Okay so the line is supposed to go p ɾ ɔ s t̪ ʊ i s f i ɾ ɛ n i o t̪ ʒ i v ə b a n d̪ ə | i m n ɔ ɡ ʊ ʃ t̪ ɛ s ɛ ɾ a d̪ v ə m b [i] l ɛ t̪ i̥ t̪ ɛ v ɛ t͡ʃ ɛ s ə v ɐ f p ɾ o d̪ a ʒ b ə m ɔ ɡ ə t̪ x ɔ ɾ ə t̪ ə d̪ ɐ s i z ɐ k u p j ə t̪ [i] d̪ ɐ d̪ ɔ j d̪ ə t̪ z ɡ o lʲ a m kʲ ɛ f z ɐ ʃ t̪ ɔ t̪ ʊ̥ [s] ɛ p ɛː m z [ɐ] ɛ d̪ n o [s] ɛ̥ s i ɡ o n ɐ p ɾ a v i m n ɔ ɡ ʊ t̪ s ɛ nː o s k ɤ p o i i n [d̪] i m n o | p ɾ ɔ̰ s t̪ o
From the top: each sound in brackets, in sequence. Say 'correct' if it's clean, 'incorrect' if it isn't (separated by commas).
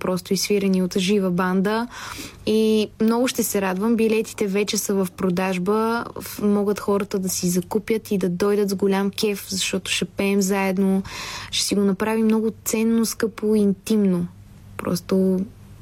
correct, correct, incorrect, incorrect, incorrect, incorrect